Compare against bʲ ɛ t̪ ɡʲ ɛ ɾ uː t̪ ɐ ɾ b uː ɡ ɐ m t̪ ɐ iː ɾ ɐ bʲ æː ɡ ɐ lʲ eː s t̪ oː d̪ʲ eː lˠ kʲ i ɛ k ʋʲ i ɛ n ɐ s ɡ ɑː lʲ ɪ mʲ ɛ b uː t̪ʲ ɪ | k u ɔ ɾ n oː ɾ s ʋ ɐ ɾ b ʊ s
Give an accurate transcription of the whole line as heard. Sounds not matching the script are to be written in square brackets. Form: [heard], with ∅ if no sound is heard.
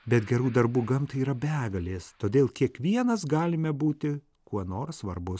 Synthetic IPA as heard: bʲ ɛ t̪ ɡʲ ɛ ɾ uː [d̪] ɐ ɾ b uː ɡ ɐ m t̪ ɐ iː ɾ ɐ bʲ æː ɡ ɐ lʲ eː s t̪ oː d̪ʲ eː lˠ kʲ i ɛ k ʋʲ i ɛ n ɐ s ɡ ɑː lʲ ɪ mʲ ɛ b uː t̪ʲ ɪ | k u ɔ [∅] n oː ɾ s ʋ ɐ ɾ b ʊ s